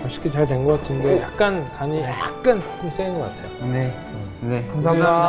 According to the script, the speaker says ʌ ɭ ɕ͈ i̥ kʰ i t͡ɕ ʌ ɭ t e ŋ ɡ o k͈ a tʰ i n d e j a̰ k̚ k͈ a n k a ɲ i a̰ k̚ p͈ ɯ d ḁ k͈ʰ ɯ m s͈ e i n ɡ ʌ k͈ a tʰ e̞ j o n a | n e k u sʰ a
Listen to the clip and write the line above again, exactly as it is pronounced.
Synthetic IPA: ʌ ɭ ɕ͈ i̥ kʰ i t͡ɕ a ɭ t e ŋ ɡ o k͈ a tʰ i n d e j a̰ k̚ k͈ a n k a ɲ i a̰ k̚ k͈ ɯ n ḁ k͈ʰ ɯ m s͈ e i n ɡ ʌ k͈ a tʰ e̞ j o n e | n e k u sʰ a